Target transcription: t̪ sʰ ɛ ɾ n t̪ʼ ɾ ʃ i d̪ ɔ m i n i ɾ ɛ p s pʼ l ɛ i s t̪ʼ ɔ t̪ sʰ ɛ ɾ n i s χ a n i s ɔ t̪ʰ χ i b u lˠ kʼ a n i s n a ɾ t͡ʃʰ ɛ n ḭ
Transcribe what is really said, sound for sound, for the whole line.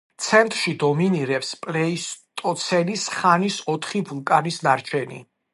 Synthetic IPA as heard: t̪ sʰ ɛ n t̪ʼ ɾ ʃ i d̪ ɔ m i n i ɾ ɛ p s pʼ l ɛ i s t̪ʼ ɔ t̪ sʰ ɛ n i s χ a n i s ɔ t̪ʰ χ i b u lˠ kʼ a n i s n a ɾ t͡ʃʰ ɛ n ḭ